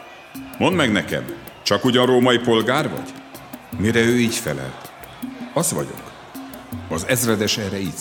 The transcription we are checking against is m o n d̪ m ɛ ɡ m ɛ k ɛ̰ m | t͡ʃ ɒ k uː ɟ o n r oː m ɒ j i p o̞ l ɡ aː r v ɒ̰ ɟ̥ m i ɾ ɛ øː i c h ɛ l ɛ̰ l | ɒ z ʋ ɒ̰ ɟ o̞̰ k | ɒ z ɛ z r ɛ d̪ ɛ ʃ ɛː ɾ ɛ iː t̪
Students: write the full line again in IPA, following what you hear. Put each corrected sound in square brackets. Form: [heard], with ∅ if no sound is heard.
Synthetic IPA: m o n d̪ m ɛ ɡ [n] ɛ k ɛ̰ m | t͡ʃ ɒ k [u] ɟ [ɒ] n r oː m ɒ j i p o̞ l ɡ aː r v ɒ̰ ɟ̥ m i ɾ ɛ øː [iː] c [f] ɛ l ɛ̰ l | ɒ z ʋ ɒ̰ ɟ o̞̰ k | ɒ z ɛ z r ɛ d̪ ɛ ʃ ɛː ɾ ɛ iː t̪